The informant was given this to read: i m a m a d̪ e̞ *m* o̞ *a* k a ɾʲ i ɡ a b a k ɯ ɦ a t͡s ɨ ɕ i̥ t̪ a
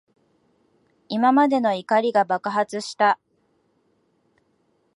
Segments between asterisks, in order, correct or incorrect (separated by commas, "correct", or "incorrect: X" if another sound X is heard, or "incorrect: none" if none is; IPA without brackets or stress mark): incorrect: n, incorrect: i